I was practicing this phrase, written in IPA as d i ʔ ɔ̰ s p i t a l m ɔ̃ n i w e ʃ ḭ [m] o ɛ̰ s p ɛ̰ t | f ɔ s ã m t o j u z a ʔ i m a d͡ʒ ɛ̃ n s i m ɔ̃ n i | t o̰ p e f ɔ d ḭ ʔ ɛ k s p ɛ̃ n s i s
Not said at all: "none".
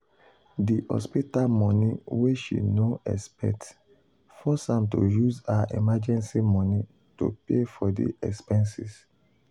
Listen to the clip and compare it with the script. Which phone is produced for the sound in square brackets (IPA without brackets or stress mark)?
n